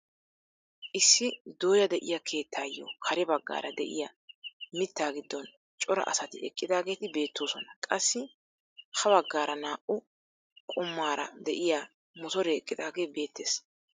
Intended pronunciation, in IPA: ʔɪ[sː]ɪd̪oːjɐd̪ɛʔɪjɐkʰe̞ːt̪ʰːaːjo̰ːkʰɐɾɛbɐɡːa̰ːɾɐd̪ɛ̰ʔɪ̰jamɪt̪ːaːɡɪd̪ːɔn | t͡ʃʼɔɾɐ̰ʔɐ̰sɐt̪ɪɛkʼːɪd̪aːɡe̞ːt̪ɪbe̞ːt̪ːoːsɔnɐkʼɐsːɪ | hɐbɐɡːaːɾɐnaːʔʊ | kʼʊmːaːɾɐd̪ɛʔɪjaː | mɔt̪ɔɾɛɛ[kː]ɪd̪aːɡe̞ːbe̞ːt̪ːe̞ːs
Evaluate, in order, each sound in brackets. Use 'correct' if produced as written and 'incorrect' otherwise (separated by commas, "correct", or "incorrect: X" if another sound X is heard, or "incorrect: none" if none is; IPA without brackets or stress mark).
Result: correct, incorrect: kʼː